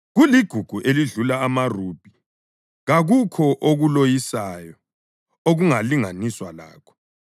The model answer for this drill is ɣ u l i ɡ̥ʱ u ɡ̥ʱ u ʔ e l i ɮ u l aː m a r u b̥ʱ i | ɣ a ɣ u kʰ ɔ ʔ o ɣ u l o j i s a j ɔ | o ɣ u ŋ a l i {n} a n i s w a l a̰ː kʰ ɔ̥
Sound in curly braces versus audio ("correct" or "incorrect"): incorrect